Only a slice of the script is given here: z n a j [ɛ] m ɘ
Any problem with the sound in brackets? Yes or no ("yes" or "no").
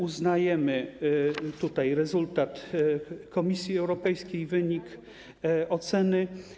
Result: no